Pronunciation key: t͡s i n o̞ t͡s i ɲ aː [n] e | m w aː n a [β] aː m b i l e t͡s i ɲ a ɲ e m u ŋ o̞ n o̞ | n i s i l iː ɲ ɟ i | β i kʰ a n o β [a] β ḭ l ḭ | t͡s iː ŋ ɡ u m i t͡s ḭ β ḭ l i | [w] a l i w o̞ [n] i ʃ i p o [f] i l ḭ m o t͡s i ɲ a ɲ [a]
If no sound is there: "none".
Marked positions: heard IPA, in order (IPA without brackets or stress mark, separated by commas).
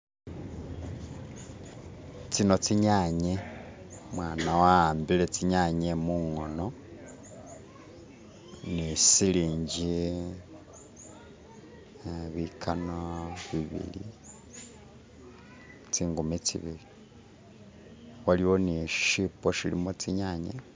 ɲ, w, i, w, n, ʃ, e